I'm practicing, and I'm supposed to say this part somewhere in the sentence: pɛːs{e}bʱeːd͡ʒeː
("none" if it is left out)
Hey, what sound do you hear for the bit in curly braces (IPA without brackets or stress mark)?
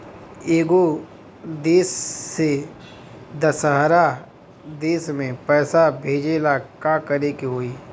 a